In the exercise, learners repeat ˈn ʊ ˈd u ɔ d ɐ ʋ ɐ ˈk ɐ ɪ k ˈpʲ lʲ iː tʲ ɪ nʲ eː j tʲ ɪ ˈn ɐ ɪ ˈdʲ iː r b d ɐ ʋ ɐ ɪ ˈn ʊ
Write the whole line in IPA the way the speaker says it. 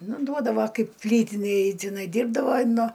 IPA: ˈn ʊ ˈd u ɔ d ɐ ʋ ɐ ˈk ɐ ɪ p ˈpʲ lʲ iː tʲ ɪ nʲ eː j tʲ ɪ ˈn ɐ ɪ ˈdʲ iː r b d ɐ ʋ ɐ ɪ ˈn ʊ